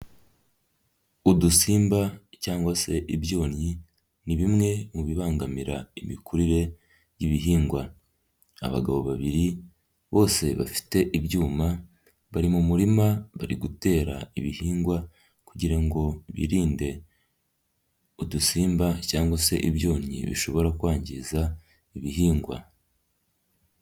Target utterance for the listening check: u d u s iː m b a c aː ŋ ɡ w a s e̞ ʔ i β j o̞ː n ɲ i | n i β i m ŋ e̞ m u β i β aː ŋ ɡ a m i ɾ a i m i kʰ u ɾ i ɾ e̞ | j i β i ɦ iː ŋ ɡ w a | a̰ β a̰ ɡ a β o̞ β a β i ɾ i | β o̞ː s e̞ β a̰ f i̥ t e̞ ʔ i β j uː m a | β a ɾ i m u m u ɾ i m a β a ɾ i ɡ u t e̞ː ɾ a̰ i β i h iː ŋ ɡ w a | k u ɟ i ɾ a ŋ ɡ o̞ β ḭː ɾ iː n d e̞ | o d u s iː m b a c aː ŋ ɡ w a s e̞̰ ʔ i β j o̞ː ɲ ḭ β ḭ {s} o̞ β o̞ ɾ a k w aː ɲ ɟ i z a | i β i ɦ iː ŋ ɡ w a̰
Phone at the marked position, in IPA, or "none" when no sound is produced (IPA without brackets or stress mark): ʃ